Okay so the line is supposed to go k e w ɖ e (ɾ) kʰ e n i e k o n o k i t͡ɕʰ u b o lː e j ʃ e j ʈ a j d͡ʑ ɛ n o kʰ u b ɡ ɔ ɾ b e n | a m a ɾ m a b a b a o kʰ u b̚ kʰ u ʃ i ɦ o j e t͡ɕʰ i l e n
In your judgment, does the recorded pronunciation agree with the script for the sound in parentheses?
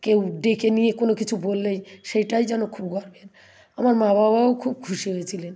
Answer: no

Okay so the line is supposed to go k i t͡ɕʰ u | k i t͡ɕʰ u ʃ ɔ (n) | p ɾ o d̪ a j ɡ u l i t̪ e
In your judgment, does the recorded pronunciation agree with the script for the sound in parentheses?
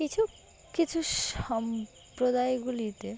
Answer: no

